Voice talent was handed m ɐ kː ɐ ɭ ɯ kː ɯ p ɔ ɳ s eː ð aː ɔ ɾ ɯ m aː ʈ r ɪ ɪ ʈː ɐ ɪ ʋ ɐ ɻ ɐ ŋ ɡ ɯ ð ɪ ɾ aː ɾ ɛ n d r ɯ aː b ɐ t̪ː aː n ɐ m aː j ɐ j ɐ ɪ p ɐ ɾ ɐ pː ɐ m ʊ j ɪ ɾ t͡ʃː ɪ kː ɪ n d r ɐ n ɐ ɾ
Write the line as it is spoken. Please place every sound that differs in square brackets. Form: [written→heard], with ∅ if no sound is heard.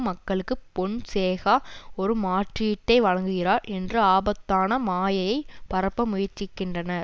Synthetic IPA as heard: m ɐ kː ɐ ɭ ɯ kː ɯ p ɔ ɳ s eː [ð→ɣ] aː ɔ ɾ ɯ m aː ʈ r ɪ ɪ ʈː ɐ ɪ ʋ ɐ ɻ ɐ ŋ ɡ ɯ [ð→ɣ] ɪ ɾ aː ɾ ɛ n d r ɯ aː b ɐ t̪ː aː n ɐ m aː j ɐ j ɐ ɪ p ɐ ɾ ɐ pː ɐ m ʊ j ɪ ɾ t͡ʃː ɪ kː ɪ n d r ɐ n ɐ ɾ

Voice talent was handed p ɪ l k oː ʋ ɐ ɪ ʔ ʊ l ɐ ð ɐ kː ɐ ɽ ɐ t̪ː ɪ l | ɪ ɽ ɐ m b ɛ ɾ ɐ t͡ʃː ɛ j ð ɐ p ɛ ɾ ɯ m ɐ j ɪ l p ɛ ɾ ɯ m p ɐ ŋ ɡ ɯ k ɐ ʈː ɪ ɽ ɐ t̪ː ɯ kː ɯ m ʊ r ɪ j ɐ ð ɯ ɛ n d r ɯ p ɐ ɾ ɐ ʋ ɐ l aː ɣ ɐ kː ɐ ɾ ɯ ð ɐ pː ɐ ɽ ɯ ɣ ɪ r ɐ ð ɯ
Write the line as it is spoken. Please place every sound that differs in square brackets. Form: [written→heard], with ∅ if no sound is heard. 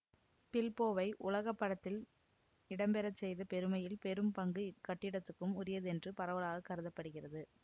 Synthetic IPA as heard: p ɪ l [k→p] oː ʋ ɐ ɪ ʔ ʊ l ɐ [ð→ɣ] ɐ [kː→pː] ɐ ɽ ɐ t̪ː ɪ l | ɪ ɽ ɐ m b ɛ ɾ ɐ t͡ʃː ɛ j ð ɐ p ɛ ɾ ɯ m ɐ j ɪ l p ɛ ɾ ɯ m p ɐ ŋ ɡ ɯ k ɐ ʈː ɪ ɽ ɐ t̪ː ɯ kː ɯ m ʊ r ɪ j ɐ ð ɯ ɛ n d r ɯ p ɐ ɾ ɐ ʋ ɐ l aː ɣ ɐ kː ɐ ɾ ɯ ð ɐ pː ɐ ɽ ɯ ɣ ɪ r ɐ ð ɯ

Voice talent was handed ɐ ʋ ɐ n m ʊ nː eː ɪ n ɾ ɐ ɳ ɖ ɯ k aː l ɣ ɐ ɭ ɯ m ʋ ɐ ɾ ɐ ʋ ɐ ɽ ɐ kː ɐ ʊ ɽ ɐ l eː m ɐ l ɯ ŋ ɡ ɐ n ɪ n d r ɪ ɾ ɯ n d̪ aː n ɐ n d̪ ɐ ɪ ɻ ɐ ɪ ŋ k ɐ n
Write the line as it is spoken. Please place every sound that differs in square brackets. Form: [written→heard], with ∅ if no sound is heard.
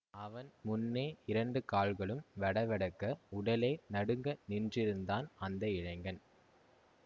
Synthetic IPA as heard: ɐ ʋ ɐ n m ʊ nː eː ɪ [n→∅] ɾ ɐ ɳ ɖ ɯ k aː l ɣ ɐ ɭ ɯ m ʋ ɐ [ɾ→ɽ] ɐ ʋ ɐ ɽ ɐ kː ɐ ʊ ɽ ɐ l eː [m→n] ɐ [l→ɽ] ɯ ŋ ɡ ɐ n ɪ n d r ɪ ɾ ɯ n d̪ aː n ɐ n d̪ ɐ ɪ ɻ ɐ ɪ ŋ [k→ɡ] ɐ n

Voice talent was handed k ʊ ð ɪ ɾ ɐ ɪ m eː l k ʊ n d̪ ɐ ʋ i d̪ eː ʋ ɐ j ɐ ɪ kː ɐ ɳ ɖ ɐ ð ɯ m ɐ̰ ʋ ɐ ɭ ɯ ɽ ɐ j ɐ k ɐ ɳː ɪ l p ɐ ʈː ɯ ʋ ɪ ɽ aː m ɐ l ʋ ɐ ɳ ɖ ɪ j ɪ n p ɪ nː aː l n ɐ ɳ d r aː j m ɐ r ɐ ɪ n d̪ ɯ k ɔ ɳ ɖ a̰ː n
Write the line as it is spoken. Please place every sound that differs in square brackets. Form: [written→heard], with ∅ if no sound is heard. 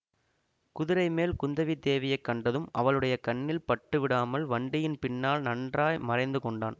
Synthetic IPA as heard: k ʊ ð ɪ ɾ ɐ ɪ m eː l k ʊ n d̪ ɐ ʋ i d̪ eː ʋ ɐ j ɐ ɪ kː ɐ ɳ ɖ ɐ ð ɯ m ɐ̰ ʋ ɐ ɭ ɯ ɽ ɐ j ɐ k ɐ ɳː ɪ l p ɐ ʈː ɯ ʋ ɪ ɽ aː m ɐ l ʋ ɐ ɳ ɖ ɪ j ɪ n p ɪ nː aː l n ɐ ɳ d r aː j m ɐ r ɐ ɪ n d̪ ɯ k ɔ ɳ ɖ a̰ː n

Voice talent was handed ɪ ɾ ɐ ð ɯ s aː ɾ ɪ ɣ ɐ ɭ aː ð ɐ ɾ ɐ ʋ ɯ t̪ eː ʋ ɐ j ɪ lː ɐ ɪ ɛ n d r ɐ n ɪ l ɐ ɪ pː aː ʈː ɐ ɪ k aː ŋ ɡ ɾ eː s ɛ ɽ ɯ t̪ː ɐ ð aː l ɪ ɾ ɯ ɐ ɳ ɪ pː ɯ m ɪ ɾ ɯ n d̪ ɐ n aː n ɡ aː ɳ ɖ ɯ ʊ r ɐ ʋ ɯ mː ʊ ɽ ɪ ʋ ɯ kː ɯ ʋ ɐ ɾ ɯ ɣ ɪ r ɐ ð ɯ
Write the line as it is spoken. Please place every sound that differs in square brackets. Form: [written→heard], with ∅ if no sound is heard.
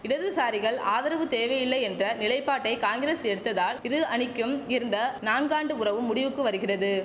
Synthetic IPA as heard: ɪ [ɾ→ɽ] ɐ ð ɯ s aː ɾ ɪ ɣ ɐ ɭ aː ð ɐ ɾ ɐ ʋ ɯ t̪ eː ʋ ɐ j ɪ lː ɐ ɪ ɛ n d r ɐ n ɪ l ɐ ɪ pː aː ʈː ɐ ɪ k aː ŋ ɡ ɾ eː s ɛ ɽ ɯ t̪ː ɐ ð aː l ɪ ɾ ɯ ɐ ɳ ɪ [pː→kː] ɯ m ɪ ɾ ɯ n d̪ ɐ n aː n ɡ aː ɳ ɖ ɯ ʊ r ɐ ʋ ɯ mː ʊ ɽ ɪ ʋ ɯ kː ɯ ʋ ɐ ɾ ɯ ɣ ɪ r ɐ ð ɯ

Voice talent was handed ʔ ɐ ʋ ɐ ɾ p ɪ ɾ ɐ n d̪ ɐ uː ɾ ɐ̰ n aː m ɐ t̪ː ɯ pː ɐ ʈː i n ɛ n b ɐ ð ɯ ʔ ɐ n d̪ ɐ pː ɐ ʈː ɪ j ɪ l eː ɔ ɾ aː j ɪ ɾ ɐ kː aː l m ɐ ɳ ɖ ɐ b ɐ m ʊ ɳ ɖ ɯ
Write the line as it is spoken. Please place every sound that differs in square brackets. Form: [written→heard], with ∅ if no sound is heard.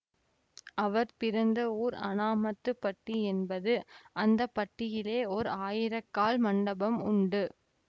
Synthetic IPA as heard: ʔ ɐ ʋ ɐ ɾ p ɪ ɾ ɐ n d̪ ɐ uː ɾ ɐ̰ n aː m ɐ t̪ː ɯ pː ɐ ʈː i [n→∅] ɛ n b ɐ ð ɯ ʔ ɐ n d̪ ɐ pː ɐ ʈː ɪ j ɪ l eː ɔ ɾ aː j ɪ ɾ ɐ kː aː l m ɐ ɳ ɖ ɐ b ɐ m ʊ ɳ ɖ ɯ

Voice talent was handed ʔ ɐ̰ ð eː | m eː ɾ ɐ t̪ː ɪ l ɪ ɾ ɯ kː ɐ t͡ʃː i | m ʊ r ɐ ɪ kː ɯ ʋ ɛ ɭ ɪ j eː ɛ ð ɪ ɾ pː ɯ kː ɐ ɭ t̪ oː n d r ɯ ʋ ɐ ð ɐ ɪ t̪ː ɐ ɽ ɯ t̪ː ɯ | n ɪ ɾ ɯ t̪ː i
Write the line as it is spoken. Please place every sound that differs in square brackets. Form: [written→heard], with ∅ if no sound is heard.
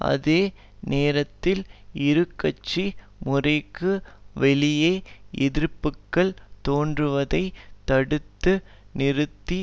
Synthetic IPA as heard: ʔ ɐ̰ ð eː | [m→n] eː ɾ ɐ t̪ː ɪ l ɪ ɾ ɯ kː ɐ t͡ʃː i | m ʊ r ɐ ɪ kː ɯ ʋ ɛ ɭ ɪ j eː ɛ ð ɪ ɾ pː ɯ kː ɐ ɭ t̪ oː n d r ɯ ʋ ɐ ð ɐ ɪ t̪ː ɐ ɽ ɯ t̪ː ɯ | n ɪ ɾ ɯ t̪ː i

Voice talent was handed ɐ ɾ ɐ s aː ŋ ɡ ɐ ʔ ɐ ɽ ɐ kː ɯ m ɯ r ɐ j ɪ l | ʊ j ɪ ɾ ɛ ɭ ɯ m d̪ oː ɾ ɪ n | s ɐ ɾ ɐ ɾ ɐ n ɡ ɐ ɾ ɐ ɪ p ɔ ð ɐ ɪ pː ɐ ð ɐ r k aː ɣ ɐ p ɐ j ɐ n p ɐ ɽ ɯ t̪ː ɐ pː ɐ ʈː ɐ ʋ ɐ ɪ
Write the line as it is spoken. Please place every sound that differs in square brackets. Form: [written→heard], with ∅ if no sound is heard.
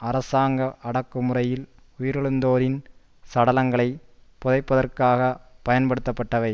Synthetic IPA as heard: ɐ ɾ ɐ s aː ŋ ɡ ɐ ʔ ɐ ɽ ɐ kː ɯ m ɯ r ɐ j ɪ l | ʊ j ɪ ɾ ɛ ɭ ɯ [m→n] d̪ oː ɾ ɪ n | s ɐ [ɾ→ɽ] ɐ [ɾ→l] ɐ [n→ŋ] ɡ ɐ [ɾ→ɭ] ɐ ɪ p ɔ ð ɐ ɪ pː ɐ ð ɐ r k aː ɣ ɐ p ɐ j ɐ n p ɐ ɽ ɯ t̪ː ɐ pː ɐ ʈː ɐ ʋ ɐ ɪ

